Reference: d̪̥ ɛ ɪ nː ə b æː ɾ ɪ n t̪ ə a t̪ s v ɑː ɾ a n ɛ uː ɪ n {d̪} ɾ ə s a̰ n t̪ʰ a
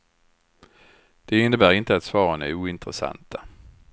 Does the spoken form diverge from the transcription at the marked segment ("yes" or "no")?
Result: yes